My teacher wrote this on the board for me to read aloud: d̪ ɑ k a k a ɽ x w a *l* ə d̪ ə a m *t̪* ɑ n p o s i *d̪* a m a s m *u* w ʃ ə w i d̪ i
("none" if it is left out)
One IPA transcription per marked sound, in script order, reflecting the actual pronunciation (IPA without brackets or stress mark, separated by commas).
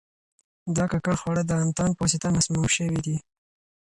ɽ, t̪, t̪, u